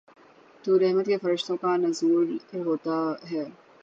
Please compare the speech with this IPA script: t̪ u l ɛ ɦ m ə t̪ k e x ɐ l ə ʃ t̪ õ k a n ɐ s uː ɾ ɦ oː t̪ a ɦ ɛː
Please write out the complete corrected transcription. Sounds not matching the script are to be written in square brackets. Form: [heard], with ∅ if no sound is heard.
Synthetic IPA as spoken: t̪ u [ɾ] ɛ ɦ m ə t̪ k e [f] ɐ [ɾ] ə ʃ t̪ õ k a n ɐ [z] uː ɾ ɦ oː t̪ a ɦ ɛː